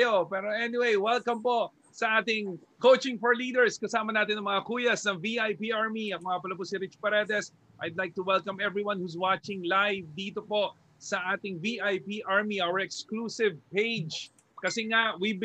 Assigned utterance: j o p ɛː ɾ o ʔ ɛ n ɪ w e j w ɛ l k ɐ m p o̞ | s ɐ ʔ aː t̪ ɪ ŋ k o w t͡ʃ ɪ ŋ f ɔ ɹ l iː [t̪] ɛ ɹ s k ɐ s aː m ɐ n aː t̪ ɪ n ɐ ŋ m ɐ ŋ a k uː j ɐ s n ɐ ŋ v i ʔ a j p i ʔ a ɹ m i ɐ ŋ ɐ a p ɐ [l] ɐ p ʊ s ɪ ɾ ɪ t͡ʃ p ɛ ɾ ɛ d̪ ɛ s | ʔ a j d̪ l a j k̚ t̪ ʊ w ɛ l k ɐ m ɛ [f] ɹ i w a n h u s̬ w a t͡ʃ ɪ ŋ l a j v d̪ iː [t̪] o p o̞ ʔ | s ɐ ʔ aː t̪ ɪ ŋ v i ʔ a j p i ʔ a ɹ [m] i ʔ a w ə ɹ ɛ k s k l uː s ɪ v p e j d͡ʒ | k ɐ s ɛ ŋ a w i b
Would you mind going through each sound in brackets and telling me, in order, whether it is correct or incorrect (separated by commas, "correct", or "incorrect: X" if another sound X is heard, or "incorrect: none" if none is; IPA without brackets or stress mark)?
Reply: incorrect: d̪, correct, incorrect: v, correct, correct